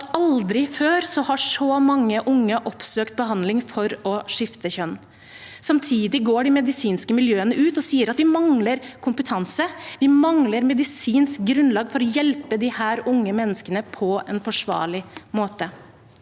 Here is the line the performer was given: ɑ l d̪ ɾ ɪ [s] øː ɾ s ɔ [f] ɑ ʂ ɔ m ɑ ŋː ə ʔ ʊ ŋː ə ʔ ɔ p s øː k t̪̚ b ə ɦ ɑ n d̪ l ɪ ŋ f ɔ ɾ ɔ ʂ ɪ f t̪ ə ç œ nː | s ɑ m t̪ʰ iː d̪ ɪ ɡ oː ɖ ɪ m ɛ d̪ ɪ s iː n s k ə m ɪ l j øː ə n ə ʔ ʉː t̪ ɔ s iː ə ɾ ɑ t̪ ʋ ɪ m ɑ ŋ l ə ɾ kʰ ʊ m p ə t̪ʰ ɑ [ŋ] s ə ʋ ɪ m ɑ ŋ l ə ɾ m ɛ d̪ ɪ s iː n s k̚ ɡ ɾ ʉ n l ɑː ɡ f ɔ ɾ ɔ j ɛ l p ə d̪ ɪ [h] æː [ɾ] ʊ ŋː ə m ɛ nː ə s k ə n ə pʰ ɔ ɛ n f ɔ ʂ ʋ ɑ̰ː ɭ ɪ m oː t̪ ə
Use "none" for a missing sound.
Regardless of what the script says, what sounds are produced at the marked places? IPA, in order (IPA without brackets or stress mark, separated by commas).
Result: f, h, n, h, ɾ